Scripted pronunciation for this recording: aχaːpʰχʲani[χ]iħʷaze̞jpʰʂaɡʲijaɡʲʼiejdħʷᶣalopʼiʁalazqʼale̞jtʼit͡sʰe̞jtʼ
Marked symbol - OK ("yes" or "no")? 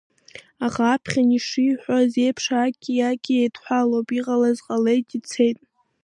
no